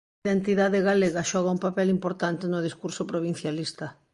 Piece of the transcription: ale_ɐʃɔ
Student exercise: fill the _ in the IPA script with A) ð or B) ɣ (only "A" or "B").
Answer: B